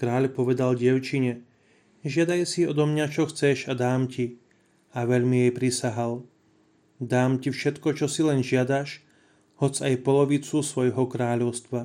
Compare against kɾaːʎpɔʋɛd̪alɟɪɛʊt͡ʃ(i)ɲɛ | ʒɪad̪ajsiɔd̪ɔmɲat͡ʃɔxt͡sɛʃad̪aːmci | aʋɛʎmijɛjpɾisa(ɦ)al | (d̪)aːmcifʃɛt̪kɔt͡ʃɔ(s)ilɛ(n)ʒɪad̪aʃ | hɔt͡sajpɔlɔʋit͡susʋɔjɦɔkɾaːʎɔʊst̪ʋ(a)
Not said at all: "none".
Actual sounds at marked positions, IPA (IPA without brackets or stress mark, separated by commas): i, ɦ, d̪, s, n, a